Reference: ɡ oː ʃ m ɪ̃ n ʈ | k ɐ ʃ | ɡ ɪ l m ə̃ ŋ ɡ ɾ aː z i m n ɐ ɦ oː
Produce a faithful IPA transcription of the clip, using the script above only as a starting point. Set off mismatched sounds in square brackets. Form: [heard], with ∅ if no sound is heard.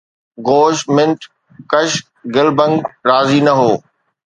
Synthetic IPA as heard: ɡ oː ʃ m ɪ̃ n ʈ | k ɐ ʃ | ɡ ɪ l [b] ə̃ ŋ ɡ ɾ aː z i [∅] n ɐ ɦ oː

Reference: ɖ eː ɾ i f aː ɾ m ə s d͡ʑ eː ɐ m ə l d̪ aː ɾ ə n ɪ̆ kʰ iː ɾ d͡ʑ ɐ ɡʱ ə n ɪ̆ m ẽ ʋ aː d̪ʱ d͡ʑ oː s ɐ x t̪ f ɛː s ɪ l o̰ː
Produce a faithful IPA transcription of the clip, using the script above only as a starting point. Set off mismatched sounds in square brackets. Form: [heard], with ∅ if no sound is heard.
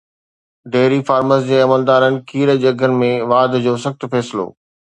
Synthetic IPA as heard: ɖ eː ɾ i f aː ɾ m ə s d͡ʑ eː ɐ m ə l d̪ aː ɾ ə n ɪ̆ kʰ iː ɾ d͡ʑ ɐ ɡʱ ə n ɪ̆ m ẽ ʋ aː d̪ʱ d͡ʑ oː s ɐ x t̪ f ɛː s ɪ l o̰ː

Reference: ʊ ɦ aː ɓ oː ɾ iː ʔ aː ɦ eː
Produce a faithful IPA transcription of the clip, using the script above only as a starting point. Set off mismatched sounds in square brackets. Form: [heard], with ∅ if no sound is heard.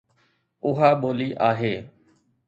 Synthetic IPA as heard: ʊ ɦ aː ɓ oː [l] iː ʔ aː ɦ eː

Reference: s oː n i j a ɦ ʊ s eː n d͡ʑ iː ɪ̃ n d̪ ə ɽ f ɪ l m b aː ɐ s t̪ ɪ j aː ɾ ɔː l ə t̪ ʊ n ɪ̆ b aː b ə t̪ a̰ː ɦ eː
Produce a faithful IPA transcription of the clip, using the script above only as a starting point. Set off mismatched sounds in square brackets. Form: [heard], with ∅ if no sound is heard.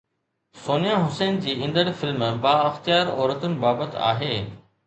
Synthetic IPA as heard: s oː n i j a ɦ ʊ s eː n d͡ʑ iː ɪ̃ n d̪ ə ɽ f ɪ l m b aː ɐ [x] t̪ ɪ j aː ɾ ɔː [ɾ] ə t̪ ʊ n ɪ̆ b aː b ə t̪ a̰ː ɦ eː

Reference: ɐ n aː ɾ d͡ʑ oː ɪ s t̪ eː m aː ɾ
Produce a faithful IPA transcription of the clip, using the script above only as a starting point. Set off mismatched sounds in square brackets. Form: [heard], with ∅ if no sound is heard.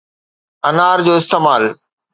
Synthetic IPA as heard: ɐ n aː ɾ d͡ʑ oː ɪ s t̪ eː m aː [l]

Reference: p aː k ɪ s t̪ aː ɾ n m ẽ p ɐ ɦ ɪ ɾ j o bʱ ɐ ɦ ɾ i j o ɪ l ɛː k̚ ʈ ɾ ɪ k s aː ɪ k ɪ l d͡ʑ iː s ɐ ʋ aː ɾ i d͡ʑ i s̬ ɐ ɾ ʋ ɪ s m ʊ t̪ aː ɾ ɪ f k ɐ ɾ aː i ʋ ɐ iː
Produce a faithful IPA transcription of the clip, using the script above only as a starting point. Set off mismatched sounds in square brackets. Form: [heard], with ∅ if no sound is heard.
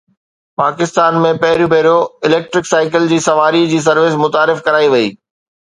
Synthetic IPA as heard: p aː k ɪ s t̪ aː [∅] n m ẽ p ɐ ɦ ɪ ɾ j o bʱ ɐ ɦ ɾ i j o ɪ l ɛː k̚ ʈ ɾ ɪ k s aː ɪ k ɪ l d͡ʑ iː s ɐ ʋ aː ɾ i d͡ʑ [iː] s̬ ɐ ɾ ʋ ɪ s m ʊ t̪ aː ɾ ɪ f k ɐ ɾ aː i ʋ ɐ iː

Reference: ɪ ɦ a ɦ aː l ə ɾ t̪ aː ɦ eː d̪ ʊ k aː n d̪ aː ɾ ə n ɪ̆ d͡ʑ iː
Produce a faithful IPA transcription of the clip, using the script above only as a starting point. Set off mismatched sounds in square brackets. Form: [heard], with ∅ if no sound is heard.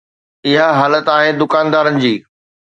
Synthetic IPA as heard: ɪ ɦ a ɦ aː l ə [∅] t̪ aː ɦ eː d̪ ʊ k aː n d̪ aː ɾ ə n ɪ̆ d͡ʑ iː

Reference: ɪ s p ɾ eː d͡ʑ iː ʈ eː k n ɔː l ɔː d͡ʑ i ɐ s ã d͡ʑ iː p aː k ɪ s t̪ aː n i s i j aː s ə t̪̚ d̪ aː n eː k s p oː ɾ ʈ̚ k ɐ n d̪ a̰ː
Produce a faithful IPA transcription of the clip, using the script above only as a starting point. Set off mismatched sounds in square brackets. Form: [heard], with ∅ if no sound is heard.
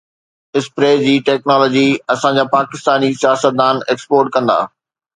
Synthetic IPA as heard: ɪ s p ɾ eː d͡ʑ iː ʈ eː k n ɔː l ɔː d͡ʑ i ɐ s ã d͡ʑ [aː] p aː k ɪ s t̪ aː n i s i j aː s ə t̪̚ d̪ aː n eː k s p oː ɾ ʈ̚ k [ɐ̃] n d̪ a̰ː

